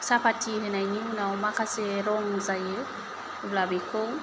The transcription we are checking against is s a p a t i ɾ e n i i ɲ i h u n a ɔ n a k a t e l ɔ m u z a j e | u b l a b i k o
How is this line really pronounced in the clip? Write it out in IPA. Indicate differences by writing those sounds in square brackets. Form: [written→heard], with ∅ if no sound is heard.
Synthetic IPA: s a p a t i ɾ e n [i→a] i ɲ i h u n a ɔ [n→m] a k a [t→s] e [l→ɾ] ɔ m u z a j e | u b l a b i k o

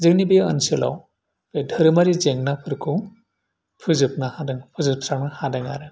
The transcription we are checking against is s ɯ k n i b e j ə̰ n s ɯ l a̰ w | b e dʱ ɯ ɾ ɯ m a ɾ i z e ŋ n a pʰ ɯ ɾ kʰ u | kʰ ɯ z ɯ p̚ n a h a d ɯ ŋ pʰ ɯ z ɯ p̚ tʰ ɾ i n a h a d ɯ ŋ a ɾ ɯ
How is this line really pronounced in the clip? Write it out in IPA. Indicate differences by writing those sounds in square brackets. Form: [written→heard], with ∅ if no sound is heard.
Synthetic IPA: [s→z] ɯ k n i b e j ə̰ n s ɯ l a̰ w | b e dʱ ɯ ɾ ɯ m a ɾ i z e ŋ n a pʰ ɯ ɾ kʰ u | [kʰ→pʰ] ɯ z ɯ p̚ n a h a d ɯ ŋ pʰ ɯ z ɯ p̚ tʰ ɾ [i→a] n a h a d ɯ ŋ a ɾ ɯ

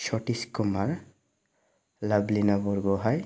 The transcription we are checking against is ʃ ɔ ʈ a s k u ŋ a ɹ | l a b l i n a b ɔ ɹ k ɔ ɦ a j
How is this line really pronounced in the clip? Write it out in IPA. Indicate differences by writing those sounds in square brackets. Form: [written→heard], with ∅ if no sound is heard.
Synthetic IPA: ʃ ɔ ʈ [a→i] s k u [ŋ→m] a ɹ | l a b l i n a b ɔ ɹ [k→ɡ] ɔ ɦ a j

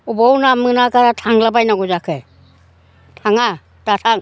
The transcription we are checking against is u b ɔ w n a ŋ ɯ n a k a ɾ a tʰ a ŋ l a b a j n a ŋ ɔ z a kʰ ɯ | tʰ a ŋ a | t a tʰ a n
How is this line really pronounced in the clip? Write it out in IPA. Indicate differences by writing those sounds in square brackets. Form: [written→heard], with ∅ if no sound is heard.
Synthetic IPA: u b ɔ w n a [ŋ→m] ɯ n a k a ɾ a tʰ a ŋ l a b a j n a [ŋ→ɡ] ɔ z a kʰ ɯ | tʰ a ŋ a | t a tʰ a [n→ŋ]

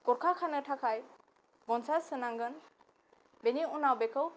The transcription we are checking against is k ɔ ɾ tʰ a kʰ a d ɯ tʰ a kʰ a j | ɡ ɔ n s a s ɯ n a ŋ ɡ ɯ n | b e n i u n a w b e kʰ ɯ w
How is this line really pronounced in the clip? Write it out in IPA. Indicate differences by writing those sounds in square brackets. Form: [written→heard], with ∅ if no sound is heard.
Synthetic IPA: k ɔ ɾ [tʰ→kʰ] a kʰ a [d→n] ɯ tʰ a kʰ a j | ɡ ɔ n s a s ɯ n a ŋ ɡ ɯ n | b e n i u n a w b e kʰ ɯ w

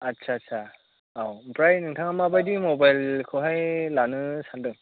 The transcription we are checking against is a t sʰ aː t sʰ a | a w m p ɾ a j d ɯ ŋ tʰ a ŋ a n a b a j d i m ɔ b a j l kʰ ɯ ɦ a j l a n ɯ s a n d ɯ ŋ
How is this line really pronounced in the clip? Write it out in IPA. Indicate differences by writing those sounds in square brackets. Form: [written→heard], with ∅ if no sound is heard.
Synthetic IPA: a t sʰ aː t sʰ a | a w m p ɾ a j [d→n] ɯ ŋ tʰ a ŋ a [n→m] a b a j d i m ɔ b a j l kʰ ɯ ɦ a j l a n ɯ s a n d ɯ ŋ

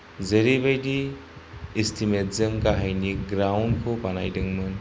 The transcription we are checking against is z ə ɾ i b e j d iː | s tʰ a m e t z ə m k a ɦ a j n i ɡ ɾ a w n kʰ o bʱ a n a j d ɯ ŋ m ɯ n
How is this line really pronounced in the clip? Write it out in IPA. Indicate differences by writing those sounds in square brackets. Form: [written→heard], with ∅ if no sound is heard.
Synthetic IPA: z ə ɾ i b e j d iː | s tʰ [a→i] m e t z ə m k a ɦ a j n i ɡ ɾ a w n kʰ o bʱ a n a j d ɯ ŋ m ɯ n

